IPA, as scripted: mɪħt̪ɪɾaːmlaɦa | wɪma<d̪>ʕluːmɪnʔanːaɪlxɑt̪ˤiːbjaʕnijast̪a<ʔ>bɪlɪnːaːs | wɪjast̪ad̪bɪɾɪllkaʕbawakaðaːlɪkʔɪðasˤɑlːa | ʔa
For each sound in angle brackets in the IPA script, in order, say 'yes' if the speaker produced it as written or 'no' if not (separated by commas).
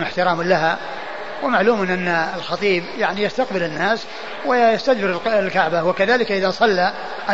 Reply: no, no